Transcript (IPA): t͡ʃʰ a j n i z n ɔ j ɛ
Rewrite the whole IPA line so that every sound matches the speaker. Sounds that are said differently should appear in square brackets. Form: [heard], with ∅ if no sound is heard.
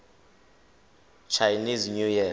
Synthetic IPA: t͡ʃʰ a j n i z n [u] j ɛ